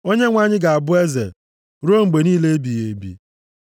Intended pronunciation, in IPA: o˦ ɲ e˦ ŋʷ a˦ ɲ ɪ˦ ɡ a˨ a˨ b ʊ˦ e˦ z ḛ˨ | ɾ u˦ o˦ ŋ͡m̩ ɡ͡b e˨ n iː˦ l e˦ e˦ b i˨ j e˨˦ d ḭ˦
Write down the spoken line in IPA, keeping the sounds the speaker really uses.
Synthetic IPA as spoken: o˦ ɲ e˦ ŋʷ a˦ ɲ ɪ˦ ɡ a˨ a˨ b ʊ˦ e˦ z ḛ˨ | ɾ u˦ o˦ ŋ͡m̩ ɡ͡b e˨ n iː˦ l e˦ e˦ b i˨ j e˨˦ b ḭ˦